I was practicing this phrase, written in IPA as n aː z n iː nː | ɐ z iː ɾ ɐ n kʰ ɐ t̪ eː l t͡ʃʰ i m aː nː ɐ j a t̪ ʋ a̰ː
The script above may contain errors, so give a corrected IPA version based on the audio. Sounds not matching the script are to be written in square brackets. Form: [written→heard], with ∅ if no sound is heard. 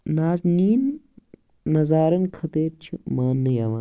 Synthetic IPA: n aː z n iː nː | ɐ z [iː→aː] ɾ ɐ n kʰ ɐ t̪ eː [l→ɾ] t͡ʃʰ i m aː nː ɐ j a [t̪→∅] ʋ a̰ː

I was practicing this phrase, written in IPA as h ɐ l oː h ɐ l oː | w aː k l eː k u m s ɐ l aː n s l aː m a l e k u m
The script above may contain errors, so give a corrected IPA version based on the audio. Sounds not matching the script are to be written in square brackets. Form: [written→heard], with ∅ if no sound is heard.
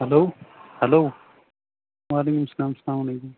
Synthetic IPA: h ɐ l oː h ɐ l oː | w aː [k→∅] l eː k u m s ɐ l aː [n→m] s l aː m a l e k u m

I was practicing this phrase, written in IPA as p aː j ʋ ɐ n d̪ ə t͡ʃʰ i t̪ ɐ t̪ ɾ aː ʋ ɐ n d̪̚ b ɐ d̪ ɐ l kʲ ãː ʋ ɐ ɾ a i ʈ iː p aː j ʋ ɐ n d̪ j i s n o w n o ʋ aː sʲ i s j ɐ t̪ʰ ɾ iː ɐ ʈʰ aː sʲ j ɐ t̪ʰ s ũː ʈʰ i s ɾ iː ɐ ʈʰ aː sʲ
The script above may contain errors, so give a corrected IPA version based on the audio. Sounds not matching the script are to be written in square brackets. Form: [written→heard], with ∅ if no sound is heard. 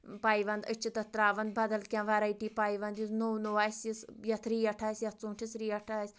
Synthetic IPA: p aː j ʋ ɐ n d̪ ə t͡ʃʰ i t̪ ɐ t̪ ɾ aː ʋ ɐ n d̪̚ b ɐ d̪ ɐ l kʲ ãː ʋ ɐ ɾ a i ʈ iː p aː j ʋ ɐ n d̪ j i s n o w n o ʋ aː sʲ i s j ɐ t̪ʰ ɾ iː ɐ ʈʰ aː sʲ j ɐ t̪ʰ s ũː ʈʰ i s ɾ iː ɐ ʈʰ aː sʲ

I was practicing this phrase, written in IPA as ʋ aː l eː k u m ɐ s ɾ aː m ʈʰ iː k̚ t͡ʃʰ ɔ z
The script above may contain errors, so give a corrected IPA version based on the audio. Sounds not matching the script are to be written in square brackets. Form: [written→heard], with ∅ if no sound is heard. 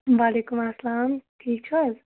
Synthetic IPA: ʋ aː l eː k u m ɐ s [ɾ→l] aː m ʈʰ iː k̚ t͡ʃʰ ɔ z

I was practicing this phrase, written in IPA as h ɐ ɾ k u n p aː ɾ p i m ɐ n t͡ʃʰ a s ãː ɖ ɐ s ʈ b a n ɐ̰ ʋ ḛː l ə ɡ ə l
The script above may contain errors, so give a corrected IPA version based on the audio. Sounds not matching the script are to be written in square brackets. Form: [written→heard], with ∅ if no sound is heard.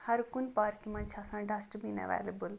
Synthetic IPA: h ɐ ɾ k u n p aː ɾ [p→k] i m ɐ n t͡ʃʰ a s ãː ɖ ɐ s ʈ b [a→i] n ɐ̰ ʋ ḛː l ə [ɡ→b] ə l

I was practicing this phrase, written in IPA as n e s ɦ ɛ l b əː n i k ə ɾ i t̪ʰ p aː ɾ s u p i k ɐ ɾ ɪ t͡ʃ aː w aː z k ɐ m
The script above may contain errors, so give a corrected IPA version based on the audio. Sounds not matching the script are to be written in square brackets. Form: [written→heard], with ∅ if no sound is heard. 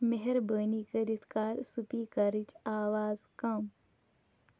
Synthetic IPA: [n→m] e [s→∅] ɦ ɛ [l→ɾ] b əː n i k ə ɾ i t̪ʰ [p→k] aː ɾ s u p i k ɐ ɾ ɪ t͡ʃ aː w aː z k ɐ m

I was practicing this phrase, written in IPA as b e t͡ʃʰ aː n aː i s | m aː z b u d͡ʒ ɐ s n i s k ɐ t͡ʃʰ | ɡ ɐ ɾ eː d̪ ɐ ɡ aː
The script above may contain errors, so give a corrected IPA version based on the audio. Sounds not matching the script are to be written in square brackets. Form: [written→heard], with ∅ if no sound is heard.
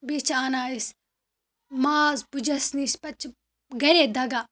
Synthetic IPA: b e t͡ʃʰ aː n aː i s | m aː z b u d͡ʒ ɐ s n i s [k→p] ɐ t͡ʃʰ | ɡ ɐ ɾ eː d̪ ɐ ɡ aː

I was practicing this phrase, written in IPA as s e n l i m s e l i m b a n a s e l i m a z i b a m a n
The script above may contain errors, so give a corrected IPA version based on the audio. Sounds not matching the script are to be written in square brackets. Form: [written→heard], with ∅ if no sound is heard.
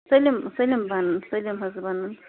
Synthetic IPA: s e [n→∅] l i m s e l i m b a n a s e l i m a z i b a [m→n] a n

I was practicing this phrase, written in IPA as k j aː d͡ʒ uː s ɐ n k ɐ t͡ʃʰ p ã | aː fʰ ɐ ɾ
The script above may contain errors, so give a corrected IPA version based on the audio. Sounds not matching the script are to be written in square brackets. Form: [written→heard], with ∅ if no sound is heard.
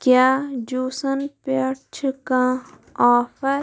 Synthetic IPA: k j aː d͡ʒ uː s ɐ n [k→p] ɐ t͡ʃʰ [p→k] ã | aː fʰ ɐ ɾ

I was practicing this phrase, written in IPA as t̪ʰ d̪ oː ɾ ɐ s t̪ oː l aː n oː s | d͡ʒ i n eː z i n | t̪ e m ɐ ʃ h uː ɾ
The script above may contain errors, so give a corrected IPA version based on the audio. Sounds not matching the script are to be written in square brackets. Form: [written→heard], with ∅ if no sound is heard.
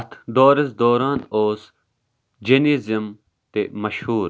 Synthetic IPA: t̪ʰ d̪ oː ɾ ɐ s [t̪→d̪] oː [l→ɾ] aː n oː s | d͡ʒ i n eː z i [n→m] | t̪ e m ɐ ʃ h uː ɾ

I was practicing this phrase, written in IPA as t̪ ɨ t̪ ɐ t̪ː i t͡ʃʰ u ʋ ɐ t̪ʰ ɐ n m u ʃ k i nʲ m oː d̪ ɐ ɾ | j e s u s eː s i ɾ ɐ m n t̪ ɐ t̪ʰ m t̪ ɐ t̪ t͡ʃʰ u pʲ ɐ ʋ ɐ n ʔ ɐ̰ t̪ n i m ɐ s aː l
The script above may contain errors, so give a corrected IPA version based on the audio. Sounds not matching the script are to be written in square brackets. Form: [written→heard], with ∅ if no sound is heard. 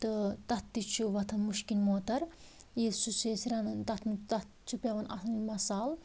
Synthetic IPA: t̪ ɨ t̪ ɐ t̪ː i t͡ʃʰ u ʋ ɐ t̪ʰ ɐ n m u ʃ k i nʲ m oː [d̪→t̪] ɐ ɾ | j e s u s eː s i ɾ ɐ [m→n] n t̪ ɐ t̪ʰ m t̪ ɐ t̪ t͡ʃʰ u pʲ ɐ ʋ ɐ n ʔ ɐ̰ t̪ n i m ɐ s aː l

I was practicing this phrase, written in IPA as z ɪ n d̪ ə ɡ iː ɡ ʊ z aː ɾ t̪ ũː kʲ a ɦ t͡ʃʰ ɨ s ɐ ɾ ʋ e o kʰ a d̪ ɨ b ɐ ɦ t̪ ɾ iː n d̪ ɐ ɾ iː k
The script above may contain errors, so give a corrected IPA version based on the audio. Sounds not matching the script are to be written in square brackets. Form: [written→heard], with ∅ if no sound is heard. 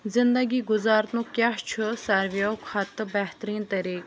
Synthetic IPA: z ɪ n d̪ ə ɡ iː ɡ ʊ z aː ɾ t̪ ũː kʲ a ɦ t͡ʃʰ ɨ s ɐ ɾ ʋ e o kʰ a [d̪→t̪] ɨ b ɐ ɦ t̪ ɾ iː n [d̪→t̪] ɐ ɾ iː k

